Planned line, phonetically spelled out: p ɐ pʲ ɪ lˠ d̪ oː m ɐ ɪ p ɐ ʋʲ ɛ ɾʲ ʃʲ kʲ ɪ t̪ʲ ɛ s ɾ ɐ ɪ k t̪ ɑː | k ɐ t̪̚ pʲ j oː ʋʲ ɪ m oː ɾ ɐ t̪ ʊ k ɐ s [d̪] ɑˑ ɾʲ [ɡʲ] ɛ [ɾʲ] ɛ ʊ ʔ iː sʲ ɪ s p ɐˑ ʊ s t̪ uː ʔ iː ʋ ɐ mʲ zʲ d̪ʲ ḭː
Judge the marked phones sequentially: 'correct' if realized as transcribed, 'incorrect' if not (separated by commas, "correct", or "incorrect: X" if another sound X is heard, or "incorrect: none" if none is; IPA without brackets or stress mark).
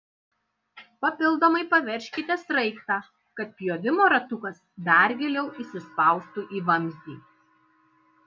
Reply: correct, correct, incorrect: lʲ